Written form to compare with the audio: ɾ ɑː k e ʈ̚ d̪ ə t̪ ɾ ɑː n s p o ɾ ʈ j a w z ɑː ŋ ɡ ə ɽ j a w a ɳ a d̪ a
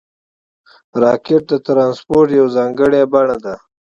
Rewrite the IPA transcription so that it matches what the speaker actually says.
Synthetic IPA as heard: ɾ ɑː k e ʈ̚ d̪ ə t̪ ɾ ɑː n s p o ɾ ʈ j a w z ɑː ŋ ɡ ə ɽ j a b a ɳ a d̪ a